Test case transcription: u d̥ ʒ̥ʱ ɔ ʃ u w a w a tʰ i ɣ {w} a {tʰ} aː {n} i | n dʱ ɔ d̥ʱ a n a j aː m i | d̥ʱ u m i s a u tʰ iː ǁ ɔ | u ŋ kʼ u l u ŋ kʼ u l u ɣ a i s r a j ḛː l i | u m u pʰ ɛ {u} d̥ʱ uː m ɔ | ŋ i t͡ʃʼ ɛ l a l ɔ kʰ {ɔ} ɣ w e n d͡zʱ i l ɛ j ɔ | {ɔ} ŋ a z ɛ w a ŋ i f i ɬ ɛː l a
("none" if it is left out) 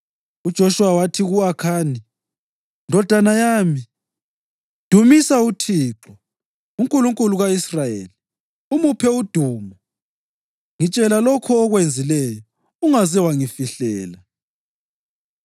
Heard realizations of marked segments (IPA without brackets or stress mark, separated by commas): u, kʰ, n, u, ɔː, u